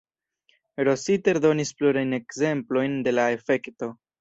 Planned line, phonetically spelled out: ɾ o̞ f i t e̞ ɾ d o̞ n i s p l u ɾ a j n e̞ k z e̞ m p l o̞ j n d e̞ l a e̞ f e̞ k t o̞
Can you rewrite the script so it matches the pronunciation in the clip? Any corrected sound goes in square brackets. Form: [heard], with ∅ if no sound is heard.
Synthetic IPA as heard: ɾ o̞ [s] i t e̞ ɾ d o̞ n i s p l u ɾ a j n e̞ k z e̞ m p l o̞ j n d e̞ l a e̞ f e̞ k t o̞